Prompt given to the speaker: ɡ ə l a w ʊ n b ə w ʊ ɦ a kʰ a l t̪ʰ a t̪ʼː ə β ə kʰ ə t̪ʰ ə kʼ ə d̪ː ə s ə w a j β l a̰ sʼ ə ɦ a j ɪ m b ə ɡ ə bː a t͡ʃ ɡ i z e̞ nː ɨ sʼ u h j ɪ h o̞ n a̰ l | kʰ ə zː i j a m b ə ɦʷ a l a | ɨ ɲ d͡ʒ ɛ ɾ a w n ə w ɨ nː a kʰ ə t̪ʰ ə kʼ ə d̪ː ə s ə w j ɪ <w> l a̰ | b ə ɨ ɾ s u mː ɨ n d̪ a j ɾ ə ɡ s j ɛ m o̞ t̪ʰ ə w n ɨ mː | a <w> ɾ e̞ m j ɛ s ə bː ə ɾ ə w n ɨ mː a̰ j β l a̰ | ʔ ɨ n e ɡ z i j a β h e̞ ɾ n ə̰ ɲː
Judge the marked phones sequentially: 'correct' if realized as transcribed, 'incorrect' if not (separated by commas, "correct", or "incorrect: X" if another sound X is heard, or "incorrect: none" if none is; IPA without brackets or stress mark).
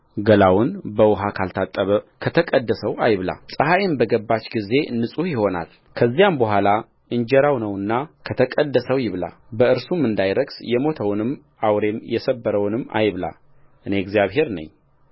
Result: incorrect: β, correct